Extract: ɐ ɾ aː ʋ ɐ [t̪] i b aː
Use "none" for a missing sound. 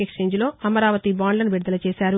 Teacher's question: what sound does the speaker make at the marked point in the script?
t̪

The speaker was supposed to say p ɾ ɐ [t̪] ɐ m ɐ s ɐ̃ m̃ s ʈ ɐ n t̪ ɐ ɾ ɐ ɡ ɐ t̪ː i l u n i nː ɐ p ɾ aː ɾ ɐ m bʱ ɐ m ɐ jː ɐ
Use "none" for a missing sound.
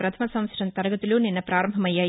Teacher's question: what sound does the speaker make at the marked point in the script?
t̪ʰ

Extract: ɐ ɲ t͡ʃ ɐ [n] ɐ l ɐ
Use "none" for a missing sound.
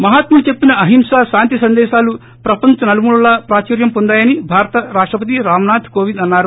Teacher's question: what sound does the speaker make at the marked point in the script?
n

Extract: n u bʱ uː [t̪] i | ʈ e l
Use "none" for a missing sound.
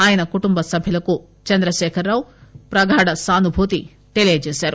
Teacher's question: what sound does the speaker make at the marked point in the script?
t̪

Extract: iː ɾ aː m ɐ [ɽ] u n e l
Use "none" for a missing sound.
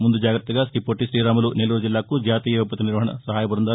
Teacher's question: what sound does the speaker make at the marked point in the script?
l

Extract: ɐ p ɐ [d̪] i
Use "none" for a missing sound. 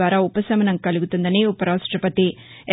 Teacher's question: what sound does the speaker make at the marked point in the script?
t̪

